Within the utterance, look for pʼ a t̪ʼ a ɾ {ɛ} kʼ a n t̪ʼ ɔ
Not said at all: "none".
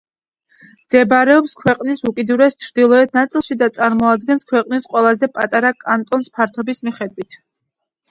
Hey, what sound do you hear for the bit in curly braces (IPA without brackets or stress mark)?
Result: a